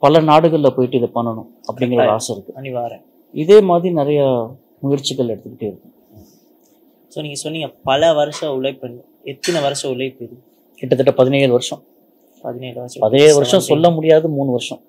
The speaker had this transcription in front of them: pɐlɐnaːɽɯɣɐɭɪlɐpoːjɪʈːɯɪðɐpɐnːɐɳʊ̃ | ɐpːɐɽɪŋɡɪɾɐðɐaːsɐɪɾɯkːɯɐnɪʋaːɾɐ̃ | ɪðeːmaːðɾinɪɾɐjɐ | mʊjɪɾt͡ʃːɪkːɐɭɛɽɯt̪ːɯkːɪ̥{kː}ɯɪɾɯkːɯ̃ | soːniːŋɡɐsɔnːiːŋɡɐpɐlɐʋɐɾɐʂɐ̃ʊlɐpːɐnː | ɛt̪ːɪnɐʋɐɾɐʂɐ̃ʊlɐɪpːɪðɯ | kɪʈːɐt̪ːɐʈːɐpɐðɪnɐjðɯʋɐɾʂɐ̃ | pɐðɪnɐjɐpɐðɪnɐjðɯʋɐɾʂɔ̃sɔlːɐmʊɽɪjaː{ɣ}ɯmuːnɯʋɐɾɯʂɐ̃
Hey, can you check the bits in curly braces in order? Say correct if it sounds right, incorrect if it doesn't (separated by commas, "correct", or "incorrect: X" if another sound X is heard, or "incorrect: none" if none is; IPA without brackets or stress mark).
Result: incorrect: ʈː, incorrect: ð